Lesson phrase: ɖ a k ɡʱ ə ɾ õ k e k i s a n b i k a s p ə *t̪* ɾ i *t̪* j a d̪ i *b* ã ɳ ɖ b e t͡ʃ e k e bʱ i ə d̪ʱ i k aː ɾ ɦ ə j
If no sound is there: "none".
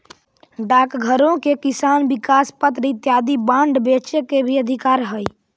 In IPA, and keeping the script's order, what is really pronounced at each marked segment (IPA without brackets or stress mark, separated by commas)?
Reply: t̪, t̪, b